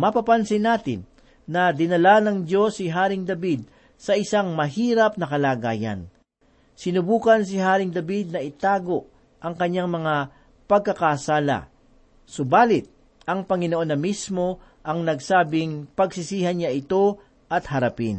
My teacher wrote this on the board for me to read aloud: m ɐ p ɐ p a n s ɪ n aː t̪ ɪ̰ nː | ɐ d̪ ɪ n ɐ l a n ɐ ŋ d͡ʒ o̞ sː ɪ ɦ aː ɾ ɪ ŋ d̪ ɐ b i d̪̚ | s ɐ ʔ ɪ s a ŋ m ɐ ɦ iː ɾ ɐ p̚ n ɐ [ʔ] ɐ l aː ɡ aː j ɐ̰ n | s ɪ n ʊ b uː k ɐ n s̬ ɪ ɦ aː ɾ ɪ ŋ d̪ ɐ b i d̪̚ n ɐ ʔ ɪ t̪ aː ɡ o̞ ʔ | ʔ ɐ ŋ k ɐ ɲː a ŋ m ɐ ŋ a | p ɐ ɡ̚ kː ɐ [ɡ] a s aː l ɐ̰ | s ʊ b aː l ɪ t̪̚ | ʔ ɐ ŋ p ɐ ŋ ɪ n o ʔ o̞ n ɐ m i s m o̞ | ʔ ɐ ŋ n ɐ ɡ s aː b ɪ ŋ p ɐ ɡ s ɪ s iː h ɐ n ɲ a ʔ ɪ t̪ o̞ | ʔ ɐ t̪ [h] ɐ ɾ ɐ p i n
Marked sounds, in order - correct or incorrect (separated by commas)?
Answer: incorrect, incorrect, correct